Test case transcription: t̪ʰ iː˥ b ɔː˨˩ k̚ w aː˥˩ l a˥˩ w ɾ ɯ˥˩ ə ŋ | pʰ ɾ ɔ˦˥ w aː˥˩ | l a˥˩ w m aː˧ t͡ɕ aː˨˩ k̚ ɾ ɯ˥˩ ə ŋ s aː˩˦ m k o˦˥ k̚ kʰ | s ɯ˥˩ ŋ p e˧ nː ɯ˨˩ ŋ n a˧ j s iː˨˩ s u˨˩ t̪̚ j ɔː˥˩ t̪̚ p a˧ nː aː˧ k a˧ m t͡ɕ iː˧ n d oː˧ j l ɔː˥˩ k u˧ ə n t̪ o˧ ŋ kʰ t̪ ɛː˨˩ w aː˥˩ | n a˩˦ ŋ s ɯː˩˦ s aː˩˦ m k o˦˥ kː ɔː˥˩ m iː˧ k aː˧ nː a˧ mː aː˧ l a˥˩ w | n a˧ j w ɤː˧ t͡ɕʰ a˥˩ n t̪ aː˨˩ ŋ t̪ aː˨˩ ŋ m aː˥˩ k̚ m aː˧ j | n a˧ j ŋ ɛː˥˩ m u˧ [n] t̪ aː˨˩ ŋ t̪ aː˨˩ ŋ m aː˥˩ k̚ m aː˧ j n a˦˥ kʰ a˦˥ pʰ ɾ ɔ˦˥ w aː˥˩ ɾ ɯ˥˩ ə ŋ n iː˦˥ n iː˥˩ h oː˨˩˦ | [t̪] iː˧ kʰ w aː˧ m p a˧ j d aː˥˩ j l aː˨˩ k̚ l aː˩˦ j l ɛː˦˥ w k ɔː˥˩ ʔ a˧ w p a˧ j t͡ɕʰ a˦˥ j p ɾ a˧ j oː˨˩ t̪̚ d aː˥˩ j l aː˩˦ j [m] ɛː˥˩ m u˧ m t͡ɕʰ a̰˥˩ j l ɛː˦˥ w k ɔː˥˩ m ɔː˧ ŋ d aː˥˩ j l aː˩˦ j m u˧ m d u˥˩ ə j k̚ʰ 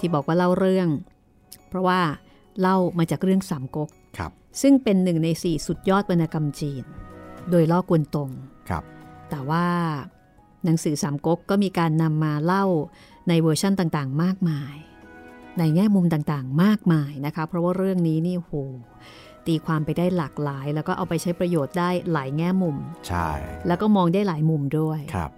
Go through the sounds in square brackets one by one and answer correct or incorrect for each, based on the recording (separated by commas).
incorrect, correct, incorrect